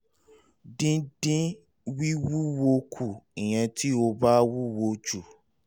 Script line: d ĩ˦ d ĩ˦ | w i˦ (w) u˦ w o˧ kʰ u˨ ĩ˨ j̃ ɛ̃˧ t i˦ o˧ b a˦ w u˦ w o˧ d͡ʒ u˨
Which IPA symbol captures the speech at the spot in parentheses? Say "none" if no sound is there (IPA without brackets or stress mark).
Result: w